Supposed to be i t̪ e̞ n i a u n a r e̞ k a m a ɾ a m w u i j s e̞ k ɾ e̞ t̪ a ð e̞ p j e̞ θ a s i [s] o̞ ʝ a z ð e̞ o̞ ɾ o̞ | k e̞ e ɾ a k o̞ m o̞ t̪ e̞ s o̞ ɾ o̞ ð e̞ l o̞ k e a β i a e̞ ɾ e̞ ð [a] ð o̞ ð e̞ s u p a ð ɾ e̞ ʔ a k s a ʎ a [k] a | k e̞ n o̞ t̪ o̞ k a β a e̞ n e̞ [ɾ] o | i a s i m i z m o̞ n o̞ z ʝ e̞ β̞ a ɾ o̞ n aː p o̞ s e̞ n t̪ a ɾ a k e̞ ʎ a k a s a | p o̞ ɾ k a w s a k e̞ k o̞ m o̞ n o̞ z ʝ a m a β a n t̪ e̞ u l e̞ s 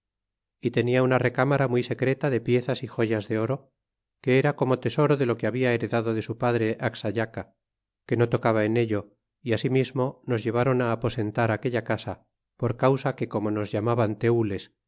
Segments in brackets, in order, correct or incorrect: incorrect, correct, correct, incorrect

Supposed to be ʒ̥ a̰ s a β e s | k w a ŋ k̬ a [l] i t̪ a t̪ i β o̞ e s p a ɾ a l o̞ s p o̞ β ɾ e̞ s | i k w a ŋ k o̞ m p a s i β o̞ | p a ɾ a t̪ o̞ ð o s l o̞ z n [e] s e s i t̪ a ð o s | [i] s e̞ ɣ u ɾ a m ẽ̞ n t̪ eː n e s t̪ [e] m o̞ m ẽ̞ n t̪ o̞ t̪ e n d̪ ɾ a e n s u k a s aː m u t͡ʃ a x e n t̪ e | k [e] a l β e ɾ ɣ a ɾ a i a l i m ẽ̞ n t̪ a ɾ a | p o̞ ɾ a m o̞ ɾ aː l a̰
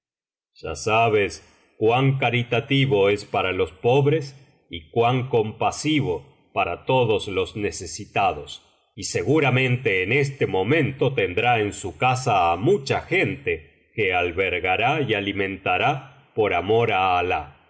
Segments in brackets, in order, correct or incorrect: incorrect, correct, correct, correct, correct

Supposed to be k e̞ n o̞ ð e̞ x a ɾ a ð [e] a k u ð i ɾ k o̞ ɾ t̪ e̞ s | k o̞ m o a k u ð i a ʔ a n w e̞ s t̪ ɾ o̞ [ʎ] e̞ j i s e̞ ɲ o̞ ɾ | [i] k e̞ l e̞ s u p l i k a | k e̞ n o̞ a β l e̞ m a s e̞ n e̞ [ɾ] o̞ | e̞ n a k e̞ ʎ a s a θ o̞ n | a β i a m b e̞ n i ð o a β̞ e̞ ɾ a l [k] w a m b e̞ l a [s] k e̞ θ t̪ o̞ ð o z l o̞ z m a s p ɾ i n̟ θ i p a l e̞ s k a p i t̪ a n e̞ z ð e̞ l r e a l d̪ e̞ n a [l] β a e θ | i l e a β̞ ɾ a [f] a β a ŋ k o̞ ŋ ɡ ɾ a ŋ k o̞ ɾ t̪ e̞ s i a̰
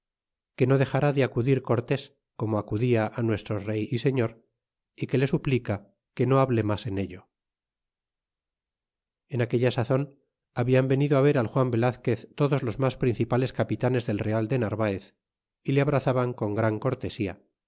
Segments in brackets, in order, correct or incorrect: correct, incorrect, correct, incorrect, incorrect, incorrect, incorrect, incorrect

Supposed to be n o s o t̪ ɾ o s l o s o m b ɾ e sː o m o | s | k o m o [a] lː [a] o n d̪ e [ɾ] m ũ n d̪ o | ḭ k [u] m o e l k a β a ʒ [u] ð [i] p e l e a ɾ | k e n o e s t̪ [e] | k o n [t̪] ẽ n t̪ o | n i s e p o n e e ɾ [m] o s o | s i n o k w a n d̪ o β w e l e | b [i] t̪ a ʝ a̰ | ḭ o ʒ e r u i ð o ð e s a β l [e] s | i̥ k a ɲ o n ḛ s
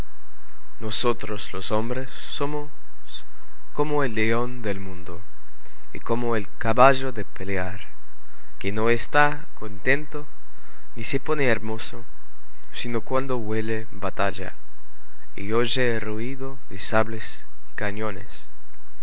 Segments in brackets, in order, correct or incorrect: incorrect, incorrect, incorrect, incorrect, incorrect, incorrect, incorrect, correct, correct, incorrect, correct

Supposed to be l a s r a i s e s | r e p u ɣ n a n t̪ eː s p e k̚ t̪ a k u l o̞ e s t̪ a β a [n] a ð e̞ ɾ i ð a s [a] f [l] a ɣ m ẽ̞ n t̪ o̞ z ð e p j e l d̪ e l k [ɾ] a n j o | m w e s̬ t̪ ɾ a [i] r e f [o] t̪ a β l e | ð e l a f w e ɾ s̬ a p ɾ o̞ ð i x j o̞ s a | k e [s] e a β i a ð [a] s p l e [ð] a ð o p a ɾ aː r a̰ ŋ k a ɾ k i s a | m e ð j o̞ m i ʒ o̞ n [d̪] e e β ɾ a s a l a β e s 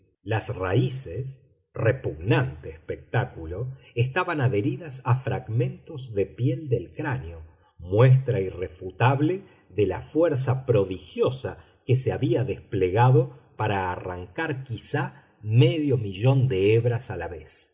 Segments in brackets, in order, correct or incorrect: correct, correct, incorrect, correct, correct, incorrect, correct, incorrect, incorrect, correct

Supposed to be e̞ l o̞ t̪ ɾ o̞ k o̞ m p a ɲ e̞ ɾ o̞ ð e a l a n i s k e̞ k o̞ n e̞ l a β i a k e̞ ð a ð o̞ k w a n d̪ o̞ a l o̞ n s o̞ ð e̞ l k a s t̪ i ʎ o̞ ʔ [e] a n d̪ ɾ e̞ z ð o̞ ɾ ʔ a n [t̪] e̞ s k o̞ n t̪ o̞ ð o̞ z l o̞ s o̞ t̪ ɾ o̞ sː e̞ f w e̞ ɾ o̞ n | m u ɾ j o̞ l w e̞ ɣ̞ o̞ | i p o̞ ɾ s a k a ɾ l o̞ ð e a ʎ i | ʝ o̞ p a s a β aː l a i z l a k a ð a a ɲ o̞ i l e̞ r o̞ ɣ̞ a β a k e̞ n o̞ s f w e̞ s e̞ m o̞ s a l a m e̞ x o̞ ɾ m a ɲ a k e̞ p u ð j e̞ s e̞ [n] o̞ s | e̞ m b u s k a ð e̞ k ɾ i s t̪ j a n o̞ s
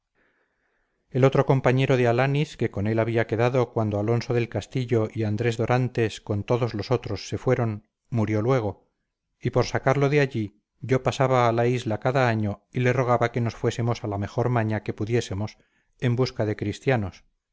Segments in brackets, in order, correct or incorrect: incorrect, correct, incorrect

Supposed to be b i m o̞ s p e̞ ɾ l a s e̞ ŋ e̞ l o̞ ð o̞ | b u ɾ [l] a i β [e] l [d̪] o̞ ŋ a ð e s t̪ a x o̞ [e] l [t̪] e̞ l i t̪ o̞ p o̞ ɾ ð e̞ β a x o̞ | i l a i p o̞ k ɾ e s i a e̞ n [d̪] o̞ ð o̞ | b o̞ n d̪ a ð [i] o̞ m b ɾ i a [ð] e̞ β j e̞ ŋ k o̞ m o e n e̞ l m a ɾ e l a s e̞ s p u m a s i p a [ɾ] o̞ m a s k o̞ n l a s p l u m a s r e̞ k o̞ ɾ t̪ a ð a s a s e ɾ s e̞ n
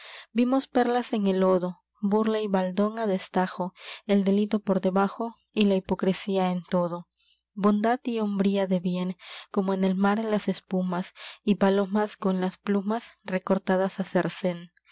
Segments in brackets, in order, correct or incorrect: correct, incorrect, correct, correct, incorrect, incorrect, correct, correct, incorrect

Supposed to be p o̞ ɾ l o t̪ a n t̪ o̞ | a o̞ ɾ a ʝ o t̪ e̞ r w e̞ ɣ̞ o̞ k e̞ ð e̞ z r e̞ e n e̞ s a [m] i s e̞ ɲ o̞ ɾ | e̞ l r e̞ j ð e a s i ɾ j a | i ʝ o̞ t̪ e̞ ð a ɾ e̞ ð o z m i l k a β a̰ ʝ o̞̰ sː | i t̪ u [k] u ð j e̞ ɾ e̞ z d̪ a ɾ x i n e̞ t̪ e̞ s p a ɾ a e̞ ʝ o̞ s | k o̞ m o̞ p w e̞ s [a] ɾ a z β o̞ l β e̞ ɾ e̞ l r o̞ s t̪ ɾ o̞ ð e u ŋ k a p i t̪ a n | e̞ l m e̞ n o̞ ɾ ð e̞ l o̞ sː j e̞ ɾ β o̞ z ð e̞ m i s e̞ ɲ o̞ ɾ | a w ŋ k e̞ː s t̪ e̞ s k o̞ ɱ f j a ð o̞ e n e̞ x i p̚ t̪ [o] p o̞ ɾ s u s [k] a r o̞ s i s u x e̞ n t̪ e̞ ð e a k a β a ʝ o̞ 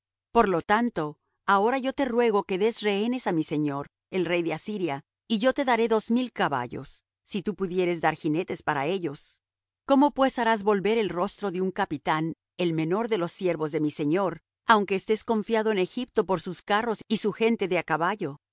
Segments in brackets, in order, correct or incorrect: correct, incorrect, correct, correct, correct

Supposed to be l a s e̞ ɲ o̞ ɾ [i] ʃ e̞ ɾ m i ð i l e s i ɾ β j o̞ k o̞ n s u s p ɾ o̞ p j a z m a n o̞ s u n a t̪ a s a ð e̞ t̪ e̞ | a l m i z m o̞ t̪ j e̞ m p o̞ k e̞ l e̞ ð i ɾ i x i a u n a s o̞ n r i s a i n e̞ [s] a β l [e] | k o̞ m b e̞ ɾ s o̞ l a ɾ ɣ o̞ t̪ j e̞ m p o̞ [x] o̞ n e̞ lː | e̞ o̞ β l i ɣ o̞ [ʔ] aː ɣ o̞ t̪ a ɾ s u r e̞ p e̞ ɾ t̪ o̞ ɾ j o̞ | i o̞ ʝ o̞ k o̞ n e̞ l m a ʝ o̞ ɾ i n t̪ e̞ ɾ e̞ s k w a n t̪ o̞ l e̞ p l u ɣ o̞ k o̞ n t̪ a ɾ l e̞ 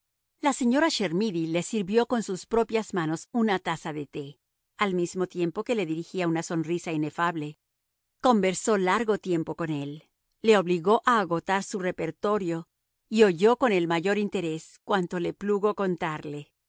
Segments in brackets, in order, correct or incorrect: incorrect, incorrect, correct, incorrect, correct

